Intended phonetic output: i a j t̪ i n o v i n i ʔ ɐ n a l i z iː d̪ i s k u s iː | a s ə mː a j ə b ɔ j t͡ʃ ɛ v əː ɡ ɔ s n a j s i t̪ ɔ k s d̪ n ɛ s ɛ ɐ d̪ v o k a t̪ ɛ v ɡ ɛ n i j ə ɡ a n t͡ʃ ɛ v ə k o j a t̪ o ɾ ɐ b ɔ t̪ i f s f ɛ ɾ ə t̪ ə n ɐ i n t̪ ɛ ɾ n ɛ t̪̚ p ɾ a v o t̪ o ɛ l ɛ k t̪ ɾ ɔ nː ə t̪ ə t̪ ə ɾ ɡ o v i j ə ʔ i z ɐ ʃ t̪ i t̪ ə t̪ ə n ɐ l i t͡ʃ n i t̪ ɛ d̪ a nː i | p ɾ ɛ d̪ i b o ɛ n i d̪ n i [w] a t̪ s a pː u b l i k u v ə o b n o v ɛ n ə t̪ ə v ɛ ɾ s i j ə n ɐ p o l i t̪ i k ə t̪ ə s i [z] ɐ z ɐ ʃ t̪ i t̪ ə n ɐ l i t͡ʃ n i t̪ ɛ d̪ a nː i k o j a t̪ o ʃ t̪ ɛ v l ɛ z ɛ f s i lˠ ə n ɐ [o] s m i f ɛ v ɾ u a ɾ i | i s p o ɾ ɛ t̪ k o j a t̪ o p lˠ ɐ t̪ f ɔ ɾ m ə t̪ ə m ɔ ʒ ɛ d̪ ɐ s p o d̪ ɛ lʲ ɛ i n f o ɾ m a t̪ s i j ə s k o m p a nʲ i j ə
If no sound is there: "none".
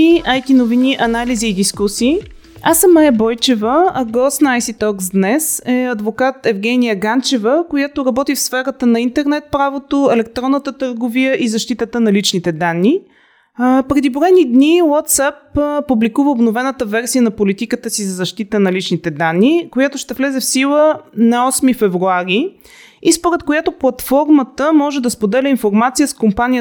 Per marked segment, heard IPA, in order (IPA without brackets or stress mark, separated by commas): w, z, ɔ